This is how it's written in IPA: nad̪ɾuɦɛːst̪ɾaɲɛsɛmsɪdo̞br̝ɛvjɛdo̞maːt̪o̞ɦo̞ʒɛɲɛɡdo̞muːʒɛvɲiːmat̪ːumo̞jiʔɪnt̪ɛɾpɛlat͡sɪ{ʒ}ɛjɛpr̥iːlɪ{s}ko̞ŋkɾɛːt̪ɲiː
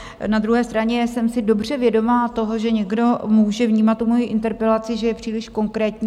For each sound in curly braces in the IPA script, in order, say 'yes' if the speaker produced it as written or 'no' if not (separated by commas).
yes, no